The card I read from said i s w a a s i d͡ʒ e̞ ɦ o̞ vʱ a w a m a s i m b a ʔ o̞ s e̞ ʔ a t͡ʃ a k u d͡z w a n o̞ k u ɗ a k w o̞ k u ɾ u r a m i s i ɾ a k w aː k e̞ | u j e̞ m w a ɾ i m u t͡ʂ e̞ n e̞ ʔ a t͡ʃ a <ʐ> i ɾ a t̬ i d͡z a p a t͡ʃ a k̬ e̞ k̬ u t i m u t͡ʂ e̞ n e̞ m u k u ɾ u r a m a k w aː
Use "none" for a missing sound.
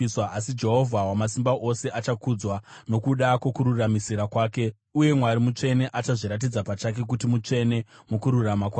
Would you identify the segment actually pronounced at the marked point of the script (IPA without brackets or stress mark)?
ʐ